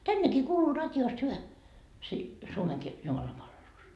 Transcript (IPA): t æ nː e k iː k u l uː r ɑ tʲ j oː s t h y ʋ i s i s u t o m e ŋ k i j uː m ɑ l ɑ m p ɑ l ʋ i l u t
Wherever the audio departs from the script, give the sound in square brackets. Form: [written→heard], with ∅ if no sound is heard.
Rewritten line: t æ nː e k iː k [u→uː] l uː r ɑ tʲ j oː s t h y ʋ [i→æ] s i s u [t→∅] o m e ŋ k i j [uː→u] m ɑ l ɑ m p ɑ l ʋ [i→e] l u [t→s]

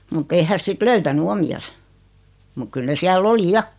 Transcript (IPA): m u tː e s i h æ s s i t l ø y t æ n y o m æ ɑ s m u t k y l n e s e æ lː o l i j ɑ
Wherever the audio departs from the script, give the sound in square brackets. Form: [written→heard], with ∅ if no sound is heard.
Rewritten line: m u tː e [s→∅] i h æ s s i t l ø y t æ n y o m [æ→i] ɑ s m u [t→k] k y l n e s [e→i] æ lː o l i j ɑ

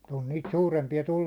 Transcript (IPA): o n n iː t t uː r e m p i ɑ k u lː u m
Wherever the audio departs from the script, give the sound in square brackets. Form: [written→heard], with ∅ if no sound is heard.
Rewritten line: o n n iː t [t→s] uː r e m p i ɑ [k→t] u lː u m

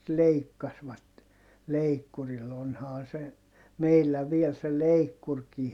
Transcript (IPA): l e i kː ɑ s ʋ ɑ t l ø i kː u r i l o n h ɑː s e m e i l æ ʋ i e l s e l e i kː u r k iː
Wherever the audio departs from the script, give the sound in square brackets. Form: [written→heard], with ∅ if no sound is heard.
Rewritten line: l e i kː ɑ s ʋ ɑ t l [ø→e] i kː u r i l o n h ɑː s e m e i [l→lː] æ ʋ i e l s e l e i kː u r k iː

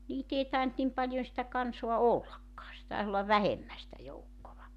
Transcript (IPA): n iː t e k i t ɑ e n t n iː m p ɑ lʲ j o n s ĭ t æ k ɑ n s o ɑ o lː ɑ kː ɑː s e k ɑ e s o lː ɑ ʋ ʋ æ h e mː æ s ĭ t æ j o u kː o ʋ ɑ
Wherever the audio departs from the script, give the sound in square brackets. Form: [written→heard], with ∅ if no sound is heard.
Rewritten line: n iː t e [k→∅] i t ɑ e n t n [iː→i] m p ɑ lʲ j o n s ĭ t æ k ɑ n s o ɑ o lː ɑ kː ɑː s e [k→t] ɑ e s o lː ɑ ʋ ʋ æ h e mː æ s ĭ t æ j o u kː o ʋ ɑ

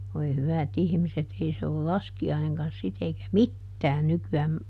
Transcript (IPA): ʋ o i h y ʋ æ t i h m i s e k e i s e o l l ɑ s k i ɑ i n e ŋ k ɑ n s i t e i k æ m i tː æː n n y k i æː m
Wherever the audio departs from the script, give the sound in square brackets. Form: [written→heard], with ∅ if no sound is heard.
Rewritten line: ʋ o i h y ʋ æ t i h m i s e [k→t] e i s e o l l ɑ s k i ɑ i n e ŋ k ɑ n s i t e i k æ m i tː æː n n y k [i→y] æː m

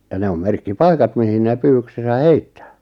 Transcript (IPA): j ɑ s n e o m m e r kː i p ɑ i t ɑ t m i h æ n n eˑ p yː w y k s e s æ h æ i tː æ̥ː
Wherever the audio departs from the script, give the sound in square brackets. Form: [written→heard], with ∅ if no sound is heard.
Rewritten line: j ɑ [s→∅] n e o m m e r kː i p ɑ i [t→k] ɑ t m i h [æ→i] n n eˑ p yː w y k s e s æ h [æ→e] i tː æ̥ː

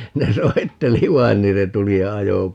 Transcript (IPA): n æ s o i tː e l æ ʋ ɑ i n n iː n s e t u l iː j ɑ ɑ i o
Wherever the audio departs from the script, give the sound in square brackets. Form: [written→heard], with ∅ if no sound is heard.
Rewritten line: n [æ→e] s o i tː e l [æ→i] ʋ ɑ i n n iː n s e t u l [iː→i] j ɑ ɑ [i→j] o

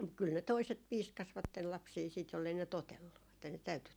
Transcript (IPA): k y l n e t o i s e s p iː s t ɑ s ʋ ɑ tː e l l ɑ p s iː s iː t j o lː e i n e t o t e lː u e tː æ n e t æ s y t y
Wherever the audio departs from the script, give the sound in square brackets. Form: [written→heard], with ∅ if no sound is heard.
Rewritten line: k y l n e t o i s e [s→t] p iː s [t→k] ɑ s ʋ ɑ tː e l l ɑ p s iː s iː t j o lː e i n e t o t e lː u e tː æ n e t æ [s→∅] y t y

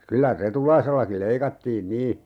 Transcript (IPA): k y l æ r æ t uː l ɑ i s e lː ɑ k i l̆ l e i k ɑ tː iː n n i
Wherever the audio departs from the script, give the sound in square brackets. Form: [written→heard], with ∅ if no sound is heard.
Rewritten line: k y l æ r [æ→e] t [uː→u] l ɑ i s e lː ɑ k i l̆ l e i k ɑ tː iː n n [i→iː]

